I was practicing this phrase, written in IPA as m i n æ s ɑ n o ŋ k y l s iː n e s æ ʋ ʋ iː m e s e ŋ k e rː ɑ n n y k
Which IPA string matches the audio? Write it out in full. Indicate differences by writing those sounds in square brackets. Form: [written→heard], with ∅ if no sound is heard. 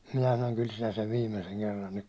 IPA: m i n æ s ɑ n o ŋ k y l s [iː→i] n [e→æ] s [æ→e] ʋ ʋ iː m e s e ŋ k e rː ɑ n n y k